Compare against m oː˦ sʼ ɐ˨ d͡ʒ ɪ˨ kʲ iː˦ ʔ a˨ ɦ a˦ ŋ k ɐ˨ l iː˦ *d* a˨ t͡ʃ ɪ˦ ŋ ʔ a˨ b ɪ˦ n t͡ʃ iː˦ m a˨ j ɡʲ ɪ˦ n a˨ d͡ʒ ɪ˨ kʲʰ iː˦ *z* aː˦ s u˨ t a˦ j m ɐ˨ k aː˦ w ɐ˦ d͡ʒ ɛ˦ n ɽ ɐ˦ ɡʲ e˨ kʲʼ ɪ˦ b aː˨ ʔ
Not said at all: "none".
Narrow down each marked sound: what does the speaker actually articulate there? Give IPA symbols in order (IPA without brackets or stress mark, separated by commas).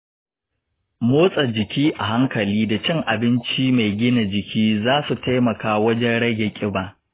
d, z